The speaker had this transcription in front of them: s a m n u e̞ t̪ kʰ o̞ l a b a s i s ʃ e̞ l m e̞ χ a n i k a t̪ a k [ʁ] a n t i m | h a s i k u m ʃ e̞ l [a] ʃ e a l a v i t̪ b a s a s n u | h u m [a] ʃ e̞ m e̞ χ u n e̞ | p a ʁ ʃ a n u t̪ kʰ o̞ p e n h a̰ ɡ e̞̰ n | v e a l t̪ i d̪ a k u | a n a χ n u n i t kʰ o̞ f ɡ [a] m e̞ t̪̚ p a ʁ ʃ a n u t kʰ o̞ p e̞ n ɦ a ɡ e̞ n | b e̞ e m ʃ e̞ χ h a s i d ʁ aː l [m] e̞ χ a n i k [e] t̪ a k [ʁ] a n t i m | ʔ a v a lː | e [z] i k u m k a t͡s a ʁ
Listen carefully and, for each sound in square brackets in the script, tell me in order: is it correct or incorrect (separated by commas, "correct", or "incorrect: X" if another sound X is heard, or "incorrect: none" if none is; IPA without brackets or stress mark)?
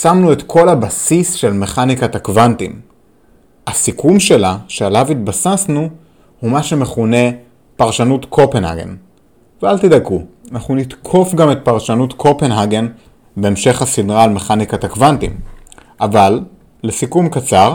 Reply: incorrect: v, correct, correct, correct, correct, incorrect: a, incorrect: v, incorrect: s